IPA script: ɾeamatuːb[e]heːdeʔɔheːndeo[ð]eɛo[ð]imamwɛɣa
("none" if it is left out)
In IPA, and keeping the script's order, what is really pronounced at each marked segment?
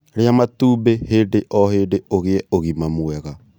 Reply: e, ɣ, ɣ

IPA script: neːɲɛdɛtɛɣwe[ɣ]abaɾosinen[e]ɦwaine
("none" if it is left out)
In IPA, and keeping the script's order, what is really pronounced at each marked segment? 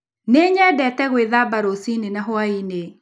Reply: ð, a

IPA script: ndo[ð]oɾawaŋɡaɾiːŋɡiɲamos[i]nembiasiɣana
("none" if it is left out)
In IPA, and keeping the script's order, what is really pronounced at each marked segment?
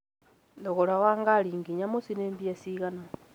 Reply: ɣ, i

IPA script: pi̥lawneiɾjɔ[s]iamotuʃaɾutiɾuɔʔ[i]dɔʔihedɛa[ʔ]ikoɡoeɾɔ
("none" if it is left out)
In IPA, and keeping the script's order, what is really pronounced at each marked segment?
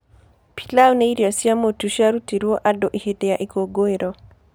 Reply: s, a, ʔ

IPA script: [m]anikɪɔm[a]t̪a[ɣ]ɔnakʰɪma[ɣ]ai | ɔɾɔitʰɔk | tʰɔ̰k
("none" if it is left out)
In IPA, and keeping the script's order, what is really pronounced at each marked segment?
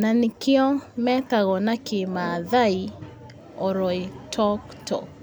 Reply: n, ɛ, ɣ, ð

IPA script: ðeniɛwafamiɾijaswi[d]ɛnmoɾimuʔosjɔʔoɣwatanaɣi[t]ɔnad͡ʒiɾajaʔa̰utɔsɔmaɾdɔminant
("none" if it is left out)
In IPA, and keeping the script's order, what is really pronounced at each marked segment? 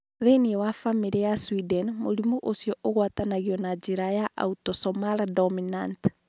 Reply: d, none

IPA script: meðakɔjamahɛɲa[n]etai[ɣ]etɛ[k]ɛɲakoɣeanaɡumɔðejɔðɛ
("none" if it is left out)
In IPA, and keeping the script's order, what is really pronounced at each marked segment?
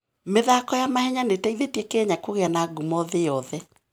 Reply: n, ð, k

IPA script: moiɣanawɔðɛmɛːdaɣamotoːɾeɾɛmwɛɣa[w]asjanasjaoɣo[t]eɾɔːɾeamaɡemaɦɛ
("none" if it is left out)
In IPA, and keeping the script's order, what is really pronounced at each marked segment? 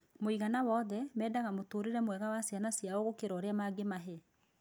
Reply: w, k

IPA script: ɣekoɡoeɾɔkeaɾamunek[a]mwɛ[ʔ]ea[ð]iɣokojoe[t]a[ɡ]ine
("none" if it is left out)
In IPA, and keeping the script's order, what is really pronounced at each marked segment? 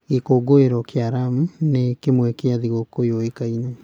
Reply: e, k, ð, k, none

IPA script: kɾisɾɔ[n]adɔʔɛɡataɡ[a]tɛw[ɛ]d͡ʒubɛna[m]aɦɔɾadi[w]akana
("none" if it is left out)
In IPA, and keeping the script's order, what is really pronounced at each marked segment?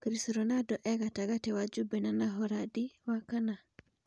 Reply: n, a, a, n, w

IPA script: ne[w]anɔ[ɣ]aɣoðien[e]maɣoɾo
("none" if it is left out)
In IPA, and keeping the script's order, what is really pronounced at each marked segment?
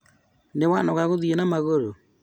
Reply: w, ɣ, a

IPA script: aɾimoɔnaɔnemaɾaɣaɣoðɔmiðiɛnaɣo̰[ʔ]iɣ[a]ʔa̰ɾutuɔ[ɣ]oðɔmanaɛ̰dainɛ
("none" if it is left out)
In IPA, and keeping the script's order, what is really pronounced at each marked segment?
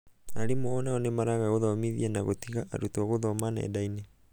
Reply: t, a, ɣ

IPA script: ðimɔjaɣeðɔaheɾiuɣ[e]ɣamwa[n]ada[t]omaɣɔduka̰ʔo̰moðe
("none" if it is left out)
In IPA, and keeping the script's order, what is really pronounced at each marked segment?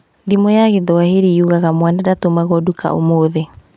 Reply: a, n, t

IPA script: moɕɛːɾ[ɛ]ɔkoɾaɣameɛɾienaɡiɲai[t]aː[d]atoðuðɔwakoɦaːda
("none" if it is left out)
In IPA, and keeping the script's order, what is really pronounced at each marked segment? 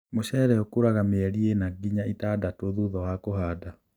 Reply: ɛ, t, d

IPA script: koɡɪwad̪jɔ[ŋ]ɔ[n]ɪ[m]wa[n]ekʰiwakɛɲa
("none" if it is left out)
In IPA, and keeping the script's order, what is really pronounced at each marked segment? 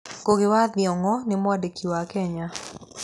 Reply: ŋ, n, m, d

